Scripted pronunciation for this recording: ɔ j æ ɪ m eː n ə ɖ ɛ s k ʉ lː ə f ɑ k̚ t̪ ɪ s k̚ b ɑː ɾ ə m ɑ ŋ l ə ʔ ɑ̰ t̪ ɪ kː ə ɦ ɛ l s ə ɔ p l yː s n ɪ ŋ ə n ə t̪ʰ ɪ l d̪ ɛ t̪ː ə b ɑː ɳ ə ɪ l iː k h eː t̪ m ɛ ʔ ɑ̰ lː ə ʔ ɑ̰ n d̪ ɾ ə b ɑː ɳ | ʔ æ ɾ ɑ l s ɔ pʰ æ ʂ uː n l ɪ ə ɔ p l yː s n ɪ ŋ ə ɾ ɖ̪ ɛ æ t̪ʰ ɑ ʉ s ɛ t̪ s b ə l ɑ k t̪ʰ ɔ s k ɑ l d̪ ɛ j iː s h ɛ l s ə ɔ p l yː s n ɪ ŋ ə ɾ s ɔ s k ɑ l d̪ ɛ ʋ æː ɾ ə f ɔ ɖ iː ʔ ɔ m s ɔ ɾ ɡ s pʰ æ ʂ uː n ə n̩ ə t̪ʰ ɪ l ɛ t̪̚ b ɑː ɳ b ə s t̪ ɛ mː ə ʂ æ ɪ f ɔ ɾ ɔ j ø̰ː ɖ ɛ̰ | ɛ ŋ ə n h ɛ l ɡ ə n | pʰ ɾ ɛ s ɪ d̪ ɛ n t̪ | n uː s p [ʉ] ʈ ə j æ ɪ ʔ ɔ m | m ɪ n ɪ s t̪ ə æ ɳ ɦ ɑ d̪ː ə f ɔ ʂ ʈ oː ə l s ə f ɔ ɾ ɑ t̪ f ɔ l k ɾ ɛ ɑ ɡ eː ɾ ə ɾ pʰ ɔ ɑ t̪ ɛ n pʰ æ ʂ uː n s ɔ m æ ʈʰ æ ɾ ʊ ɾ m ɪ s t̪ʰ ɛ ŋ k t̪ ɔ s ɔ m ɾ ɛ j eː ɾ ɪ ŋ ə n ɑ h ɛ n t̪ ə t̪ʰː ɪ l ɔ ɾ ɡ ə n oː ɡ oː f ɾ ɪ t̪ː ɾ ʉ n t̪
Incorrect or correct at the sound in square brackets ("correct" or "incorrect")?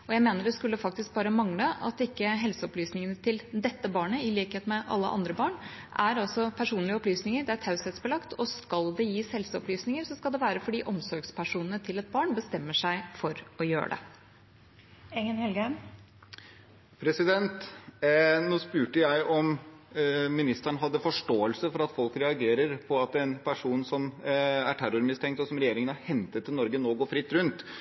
incorrect